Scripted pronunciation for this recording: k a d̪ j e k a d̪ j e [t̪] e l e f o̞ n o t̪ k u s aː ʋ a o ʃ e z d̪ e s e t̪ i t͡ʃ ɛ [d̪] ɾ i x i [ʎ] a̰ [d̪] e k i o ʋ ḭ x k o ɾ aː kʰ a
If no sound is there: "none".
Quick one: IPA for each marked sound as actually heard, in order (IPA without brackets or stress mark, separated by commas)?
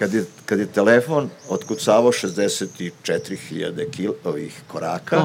t̪, t̪, ʎ, d̪